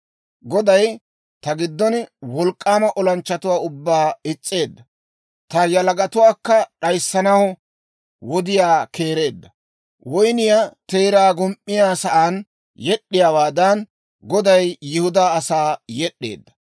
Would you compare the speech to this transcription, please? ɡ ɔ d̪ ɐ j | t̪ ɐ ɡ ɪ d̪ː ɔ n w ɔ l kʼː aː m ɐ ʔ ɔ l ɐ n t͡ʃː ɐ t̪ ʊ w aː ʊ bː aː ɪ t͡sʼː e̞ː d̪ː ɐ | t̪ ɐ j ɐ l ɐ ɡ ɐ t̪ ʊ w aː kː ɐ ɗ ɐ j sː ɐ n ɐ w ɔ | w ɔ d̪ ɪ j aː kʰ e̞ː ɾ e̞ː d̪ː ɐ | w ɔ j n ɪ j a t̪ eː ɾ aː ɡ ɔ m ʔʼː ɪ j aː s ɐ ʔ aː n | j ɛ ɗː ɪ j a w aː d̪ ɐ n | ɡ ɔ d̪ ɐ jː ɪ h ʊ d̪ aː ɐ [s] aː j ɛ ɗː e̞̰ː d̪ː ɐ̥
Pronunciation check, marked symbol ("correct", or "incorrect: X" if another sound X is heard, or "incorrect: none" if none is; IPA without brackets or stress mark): correct